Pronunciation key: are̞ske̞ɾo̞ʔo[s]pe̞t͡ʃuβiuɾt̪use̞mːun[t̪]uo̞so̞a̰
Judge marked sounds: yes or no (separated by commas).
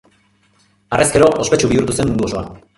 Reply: yes, no